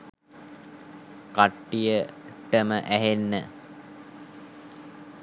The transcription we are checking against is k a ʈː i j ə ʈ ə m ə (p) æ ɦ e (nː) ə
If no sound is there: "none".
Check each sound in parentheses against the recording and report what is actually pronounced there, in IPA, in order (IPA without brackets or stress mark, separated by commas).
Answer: ʔ, nː